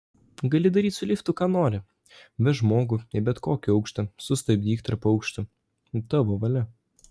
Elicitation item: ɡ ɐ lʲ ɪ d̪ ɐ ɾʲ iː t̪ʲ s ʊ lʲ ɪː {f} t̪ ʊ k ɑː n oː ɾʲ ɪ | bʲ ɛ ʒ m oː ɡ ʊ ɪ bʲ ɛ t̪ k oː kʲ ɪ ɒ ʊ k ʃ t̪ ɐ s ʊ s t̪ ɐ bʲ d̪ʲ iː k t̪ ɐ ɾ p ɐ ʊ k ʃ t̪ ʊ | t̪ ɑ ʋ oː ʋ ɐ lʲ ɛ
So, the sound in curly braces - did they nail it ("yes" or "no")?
yes